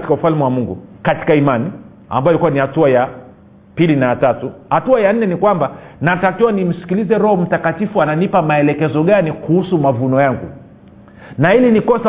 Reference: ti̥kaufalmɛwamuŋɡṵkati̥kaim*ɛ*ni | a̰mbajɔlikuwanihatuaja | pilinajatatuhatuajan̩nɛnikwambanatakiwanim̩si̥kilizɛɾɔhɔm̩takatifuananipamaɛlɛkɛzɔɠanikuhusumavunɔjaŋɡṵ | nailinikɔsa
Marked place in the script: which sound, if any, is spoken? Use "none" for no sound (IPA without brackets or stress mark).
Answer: a